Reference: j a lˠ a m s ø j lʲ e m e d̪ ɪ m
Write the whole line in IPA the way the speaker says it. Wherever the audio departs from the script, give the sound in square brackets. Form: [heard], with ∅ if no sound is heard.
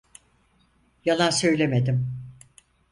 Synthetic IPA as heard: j a lˠ a [n] s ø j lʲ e m e d̪ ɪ m